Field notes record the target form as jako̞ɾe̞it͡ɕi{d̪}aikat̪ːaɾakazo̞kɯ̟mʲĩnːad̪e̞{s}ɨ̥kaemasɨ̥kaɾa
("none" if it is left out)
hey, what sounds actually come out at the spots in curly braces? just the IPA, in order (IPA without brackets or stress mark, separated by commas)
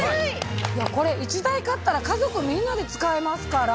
d̪, t͡s